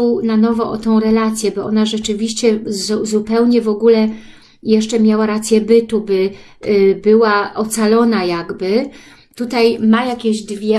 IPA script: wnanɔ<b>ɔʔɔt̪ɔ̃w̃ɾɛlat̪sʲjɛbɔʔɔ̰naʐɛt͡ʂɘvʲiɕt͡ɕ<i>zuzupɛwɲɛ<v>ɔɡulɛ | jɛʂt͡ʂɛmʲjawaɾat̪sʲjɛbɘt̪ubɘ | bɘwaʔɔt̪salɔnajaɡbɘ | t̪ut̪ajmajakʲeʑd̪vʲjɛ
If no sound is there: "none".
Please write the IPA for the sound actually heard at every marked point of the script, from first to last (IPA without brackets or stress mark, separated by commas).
v, ɛ, v